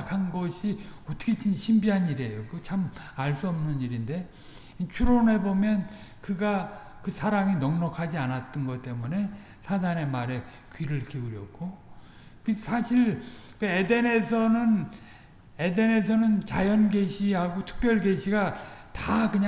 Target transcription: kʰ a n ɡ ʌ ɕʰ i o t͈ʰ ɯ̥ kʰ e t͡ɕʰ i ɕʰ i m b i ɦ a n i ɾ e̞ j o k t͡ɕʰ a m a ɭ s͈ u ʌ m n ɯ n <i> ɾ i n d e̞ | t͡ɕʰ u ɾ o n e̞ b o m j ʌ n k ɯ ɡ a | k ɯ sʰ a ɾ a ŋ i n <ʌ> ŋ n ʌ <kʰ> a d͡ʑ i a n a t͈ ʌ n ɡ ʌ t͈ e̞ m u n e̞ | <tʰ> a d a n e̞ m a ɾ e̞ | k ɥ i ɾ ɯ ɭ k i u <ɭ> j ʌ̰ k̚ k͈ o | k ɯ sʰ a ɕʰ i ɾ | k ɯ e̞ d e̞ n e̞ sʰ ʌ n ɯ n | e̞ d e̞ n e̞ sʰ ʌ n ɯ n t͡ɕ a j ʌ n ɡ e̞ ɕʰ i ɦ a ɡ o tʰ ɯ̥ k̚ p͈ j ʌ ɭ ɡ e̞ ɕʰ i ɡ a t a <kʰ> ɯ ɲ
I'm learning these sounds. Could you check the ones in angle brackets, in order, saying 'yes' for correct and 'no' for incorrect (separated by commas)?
yes, yes, yes, no, no, no